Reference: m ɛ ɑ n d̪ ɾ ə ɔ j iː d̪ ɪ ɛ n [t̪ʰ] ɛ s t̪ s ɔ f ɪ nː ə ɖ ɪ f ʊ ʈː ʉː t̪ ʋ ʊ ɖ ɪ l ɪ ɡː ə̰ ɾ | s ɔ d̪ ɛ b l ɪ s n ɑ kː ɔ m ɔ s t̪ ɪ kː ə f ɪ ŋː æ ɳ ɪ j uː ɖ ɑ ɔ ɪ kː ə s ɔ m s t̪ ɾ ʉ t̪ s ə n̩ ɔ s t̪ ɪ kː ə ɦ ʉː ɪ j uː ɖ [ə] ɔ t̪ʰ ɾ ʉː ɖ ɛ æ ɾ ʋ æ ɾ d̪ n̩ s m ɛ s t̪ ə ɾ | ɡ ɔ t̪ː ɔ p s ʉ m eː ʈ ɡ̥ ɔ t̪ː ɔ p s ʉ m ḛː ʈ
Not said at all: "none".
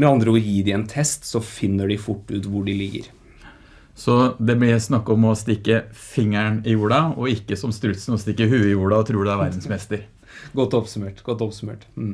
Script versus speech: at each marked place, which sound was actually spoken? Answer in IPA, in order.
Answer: t̪ʰ, ɑ

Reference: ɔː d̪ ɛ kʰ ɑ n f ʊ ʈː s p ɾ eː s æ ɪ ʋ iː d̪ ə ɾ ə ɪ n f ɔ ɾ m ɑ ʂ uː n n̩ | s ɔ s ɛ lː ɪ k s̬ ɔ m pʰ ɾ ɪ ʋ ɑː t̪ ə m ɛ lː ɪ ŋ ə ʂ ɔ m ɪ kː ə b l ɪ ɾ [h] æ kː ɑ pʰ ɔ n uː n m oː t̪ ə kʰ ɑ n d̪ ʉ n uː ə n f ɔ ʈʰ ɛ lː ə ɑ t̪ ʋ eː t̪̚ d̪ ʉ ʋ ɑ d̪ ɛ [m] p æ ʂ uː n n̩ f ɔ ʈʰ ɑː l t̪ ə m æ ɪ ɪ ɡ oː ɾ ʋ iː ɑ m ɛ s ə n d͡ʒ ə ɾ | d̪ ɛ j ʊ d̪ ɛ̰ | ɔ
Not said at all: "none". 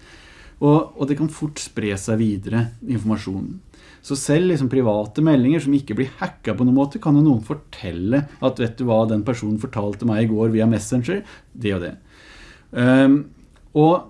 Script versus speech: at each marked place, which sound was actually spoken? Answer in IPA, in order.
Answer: h, n

